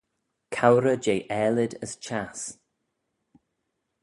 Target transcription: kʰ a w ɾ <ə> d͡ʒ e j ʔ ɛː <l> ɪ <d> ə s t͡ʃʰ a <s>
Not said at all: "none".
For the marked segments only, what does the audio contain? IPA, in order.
ə, l, d, s

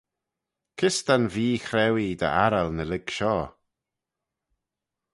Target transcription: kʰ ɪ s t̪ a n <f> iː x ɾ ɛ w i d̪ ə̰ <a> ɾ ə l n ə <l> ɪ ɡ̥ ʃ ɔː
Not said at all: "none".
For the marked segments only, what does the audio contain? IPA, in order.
v, a, l

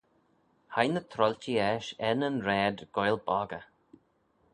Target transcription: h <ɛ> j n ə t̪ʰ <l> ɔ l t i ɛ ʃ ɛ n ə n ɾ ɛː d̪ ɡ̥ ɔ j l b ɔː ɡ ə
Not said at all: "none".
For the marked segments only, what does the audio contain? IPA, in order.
a, ɾ

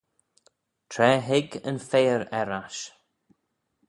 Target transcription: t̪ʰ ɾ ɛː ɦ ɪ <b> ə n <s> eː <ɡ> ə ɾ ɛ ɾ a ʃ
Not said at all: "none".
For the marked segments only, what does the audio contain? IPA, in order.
ɡ, f, none

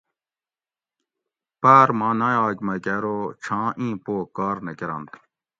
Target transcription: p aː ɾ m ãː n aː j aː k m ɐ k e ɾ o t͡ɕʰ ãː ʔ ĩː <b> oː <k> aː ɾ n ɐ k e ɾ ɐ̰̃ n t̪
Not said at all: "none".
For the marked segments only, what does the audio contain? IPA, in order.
p, k

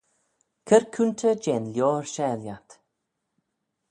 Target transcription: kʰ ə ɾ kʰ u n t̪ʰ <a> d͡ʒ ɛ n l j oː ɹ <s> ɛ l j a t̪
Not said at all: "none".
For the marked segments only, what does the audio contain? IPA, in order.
ə, ʃ

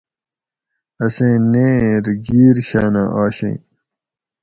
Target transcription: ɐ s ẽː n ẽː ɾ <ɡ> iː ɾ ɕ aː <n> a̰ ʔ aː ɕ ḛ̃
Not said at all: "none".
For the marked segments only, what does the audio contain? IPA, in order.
ɡ, n

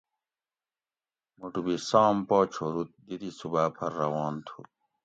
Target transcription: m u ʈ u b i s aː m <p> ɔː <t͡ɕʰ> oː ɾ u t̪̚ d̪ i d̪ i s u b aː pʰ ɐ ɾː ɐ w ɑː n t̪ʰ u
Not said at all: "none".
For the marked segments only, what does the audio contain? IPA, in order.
p, t͡ɕʰ

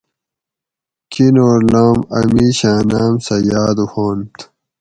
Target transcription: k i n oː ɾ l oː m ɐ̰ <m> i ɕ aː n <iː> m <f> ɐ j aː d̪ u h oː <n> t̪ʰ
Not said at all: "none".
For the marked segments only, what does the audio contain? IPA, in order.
m, aː, s, n

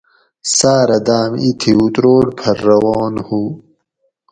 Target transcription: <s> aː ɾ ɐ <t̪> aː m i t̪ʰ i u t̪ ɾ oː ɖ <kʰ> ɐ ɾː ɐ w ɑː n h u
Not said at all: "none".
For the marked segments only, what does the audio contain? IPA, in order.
s, d̪, pʰ

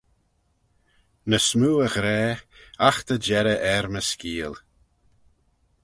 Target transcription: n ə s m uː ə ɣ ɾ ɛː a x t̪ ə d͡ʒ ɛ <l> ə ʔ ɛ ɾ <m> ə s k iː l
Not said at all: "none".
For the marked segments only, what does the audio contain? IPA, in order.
ɾ, m

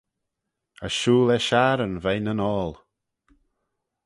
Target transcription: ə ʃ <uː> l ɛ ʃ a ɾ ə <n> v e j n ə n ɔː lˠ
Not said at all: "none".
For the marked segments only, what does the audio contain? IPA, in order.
uː, n

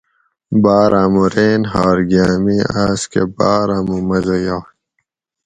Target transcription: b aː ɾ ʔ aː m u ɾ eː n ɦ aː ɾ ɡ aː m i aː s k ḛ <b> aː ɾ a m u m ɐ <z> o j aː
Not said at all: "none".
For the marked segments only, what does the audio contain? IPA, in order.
b, z

